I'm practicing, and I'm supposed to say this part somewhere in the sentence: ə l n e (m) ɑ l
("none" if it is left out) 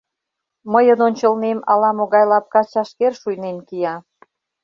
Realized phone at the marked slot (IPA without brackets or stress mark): m